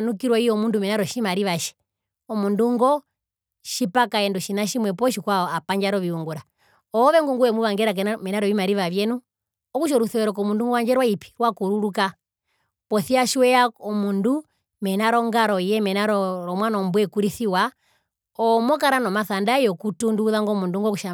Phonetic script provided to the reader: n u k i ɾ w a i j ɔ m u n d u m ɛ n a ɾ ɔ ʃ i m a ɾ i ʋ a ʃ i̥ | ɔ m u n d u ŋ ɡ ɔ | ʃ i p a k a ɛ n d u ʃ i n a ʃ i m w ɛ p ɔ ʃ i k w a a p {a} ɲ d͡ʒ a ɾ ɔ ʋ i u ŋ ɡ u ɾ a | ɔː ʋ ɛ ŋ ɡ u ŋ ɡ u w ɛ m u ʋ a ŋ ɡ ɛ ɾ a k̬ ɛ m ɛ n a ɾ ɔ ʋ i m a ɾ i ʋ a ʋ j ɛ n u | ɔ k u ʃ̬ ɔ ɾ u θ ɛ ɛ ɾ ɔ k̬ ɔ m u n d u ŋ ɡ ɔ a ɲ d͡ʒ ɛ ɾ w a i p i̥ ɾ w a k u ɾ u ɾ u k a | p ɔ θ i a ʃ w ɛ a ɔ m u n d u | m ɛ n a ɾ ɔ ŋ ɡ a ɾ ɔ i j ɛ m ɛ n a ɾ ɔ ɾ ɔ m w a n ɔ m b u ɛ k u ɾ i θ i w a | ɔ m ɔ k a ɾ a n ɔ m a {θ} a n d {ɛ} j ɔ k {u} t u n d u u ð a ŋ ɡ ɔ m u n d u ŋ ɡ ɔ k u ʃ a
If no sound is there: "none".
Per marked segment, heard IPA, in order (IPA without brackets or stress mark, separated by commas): a, θ, a, u